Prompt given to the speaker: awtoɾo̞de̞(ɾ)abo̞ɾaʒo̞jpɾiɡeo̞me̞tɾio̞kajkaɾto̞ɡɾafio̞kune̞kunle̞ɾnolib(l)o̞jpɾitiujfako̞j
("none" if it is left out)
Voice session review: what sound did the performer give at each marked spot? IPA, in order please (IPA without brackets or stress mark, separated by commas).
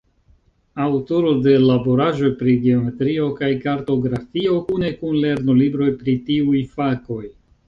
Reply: l, ɾ